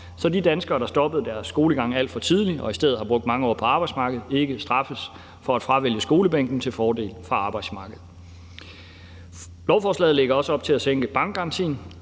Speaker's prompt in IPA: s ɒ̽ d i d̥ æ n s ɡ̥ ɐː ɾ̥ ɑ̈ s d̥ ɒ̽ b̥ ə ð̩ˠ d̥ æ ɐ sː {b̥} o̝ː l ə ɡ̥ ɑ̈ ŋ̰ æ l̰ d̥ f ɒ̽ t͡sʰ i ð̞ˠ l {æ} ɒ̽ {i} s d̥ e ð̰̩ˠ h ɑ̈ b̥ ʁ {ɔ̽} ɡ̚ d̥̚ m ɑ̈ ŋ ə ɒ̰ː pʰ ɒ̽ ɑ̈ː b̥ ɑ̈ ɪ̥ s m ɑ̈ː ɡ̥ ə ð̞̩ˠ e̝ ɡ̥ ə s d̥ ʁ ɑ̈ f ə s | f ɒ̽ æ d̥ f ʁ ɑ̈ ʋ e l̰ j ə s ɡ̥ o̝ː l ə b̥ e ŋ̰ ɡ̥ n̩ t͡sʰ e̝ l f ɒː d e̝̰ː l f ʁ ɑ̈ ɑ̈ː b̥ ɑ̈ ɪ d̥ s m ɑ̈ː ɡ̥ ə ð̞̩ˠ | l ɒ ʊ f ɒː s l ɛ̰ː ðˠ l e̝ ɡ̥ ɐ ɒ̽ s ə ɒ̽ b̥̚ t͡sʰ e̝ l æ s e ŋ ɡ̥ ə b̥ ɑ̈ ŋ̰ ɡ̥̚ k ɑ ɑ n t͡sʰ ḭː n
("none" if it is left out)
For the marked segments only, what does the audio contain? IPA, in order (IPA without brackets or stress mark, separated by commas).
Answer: ɡ̥, i, i, ɔ̽